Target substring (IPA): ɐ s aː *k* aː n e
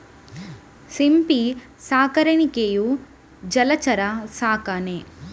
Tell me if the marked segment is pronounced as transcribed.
yes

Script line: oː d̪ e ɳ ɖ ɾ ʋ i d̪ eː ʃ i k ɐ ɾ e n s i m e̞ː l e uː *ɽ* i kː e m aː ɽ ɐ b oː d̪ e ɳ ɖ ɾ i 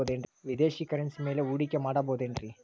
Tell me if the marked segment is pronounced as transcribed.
yes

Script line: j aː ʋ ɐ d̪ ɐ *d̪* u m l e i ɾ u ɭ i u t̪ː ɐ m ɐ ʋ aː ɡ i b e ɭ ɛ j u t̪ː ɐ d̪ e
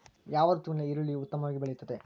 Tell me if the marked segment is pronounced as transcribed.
no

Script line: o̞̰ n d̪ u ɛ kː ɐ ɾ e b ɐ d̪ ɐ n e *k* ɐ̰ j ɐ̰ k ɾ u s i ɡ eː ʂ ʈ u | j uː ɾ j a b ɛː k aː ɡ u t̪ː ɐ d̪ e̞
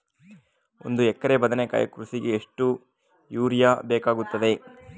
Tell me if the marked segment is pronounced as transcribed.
yes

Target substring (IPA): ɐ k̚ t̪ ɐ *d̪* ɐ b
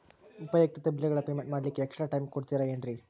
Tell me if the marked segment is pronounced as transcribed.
no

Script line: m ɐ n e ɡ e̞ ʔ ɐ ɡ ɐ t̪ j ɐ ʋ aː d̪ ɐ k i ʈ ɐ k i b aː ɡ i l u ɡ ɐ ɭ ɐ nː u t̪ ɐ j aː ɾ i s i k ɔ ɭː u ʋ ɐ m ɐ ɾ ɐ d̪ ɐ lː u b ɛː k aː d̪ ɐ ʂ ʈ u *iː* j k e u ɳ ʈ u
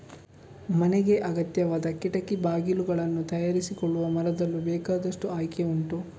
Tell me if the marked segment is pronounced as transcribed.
no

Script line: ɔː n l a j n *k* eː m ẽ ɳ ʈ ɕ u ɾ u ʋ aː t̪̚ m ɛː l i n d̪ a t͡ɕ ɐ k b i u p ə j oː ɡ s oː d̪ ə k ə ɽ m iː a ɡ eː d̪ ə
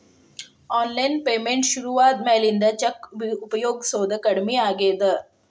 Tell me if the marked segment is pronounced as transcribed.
no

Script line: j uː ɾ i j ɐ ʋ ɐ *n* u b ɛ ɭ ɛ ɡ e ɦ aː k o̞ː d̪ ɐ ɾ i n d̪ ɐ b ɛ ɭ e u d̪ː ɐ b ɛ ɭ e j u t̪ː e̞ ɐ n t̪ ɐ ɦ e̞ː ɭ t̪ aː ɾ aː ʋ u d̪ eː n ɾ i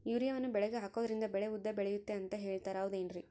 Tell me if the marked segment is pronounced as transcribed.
no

